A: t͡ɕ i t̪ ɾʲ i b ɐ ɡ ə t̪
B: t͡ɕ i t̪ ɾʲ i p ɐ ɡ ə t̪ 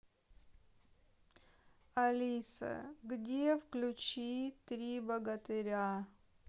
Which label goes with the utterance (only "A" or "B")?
A